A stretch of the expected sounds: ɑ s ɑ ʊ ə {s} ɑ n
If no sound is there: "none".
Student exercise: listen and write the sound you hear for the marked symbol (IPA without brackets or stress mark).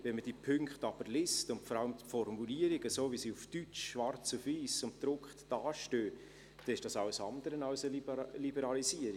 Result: s